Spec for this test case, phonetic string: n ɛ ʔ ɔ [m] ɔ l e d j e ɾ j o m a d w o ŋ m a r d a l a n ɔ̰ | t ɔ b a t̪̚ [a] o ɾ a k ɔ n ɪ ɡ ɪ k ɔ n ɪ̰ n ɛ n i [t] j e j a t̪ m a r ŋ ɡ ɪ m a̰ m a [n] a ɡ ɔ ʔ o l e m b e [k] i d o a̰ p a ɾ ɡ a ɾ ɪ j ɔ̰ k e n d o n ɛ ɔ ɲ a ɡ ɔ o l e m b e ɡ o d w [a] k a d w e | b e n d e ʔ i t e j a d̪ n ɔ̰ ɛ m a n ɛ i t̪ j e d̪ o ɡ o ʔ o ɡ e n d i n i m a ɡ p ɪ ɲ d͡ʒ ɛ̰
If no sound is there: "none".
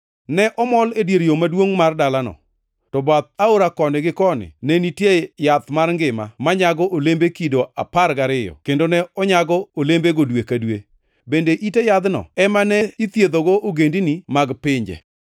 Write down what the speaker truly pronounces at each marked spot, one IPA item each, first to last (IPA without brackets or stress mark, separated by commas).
m, a, t, ɲ, k, e